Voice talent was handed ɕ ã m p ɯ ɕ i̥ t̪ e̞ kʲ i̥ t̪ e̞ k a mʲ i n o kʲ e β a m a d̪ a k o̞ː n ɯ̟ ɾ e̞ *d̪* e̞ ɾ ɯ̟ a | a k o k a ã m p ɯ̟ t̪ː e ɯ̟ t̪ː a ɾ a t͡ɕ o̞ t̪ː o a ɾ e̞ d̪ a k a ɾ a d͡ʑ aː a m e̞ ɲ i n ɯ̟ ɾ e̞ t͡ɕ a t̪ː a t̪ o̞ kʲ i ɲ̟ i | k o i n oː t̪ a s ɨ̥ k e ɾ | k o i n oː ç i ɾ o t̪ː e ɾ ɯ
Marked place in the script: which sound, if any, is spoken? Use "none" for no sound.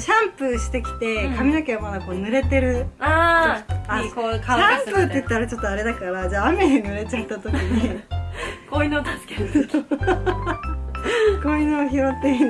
t̪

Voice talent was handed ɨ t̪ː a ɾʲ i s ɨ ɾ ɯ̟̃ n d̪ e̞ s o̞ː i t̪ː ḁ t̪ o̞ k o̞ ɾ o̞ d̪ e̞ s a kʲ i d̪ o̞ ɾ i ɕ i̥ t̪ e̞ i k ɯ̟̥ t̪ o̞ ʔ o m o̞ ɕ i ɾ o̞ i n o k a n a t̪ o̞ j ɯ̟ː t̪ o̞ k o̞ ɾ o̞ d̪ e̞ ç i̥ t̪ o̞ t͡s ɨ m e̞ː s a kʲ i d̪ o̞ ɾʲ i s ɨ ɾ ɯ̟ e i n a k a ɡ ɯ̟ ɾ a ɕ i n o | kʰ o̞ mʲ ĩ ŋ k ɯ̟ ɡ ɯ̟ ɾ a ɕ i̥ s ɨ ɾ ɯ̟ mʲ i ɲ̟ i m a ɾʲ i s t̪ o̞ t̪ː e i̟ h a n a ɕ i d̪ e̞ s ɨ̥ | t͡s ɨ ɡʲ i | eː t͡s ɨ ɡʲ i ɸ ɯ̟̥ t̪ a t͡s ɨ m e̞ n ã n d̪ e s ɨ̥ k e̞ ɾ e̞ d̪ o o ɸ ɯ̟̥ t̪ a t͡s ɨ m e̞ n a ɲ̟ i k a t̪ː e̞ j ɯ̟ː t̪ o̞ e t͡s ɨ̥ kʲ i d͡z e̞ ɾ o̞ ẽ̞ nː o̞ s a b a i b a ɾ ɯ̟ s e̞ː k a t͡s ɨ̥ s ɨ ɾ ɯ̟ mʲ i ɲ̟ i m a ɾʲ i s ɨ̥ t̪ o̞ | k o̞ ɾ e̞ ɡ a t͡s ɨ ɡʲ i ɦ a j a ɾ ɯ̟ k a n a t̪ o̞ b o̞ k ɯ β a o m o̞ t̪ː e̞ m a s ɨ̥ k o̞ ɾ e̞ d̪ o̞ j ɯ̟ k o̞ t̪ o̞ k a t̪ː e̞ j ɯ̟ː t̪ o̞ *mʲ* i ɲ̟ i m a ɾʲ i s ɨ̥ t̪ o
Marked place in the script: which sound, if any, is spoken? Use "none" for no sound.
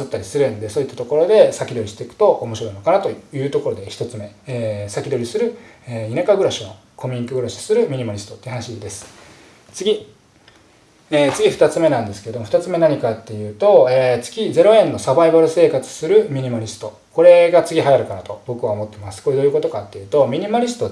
mʲ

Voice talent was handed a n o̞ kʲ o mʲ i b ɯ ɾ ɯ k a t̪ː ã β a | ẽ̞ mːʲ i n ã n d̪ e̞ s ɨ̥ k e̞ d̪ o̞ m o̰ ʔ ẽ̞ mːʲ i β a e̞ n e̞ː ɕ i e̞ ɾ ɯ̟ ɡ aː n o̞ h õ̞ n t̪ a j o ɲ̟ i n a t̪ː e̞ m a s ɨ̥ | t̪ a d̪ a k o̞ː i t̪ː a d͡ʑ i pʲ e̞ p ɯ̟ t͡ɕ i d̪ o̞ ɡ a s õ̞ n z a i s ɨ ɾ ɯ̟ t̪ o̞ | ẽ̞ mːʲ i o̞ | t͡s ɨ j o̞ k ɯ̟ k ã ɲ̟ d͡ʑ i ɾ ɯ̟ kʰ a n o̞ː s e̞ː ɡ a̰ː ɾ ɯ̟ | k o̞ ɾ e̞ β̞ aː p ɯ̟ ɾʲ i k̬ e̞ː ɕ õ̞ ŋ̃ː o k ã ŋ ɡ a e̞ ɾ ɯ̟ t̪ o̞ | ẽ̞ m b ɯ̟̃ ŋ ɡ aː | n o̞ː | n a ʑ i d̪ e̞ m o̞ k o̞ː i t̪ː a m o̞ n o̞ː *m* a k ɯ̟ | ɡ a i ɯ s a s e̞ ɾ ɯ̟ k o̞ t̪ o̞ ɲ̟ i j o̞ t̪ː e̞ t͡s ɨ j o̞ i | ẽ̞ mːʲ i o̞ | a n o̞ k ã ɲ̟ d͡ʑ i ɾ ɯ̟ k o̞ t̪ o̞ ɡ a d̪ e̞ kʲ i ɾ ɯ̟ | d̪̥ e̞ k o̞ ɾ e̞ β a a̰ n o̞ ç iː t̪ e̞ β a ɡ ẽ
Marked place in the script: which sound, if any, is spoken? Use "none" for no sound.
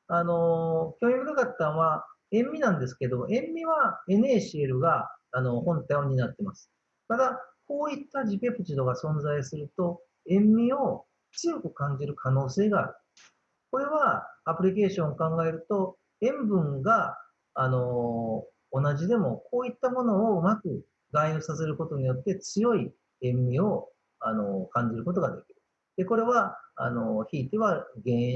m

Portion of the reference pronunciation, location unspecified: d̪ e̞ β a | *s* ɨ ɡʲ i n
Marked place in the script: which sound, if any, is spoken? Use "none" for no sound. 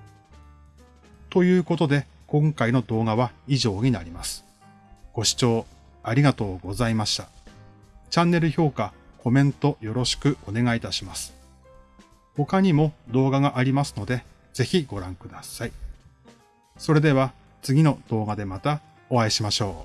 t͡s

